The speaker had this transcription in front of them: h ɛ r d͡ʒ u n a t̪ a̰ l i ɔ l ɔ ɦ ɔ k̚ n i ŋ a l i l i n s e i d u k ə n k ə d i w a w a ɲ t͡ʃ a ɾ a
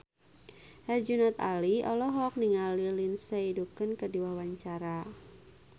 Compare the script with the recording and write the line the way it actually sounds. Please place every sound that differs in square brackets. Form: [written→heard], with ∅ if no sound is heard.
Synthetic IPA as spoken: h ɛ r d͡ʒ u n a t̪ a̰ l i ɔ l ɔ ɦ ɔ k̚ n i ŋ a l i l i n s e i d u k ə n k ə d i w a w a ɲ t͡ʃ a ɾ a